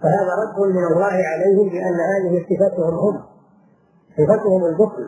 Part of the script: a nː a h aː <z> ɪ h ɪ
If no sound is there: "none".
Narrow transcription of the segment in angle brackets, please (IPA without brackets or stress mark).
ð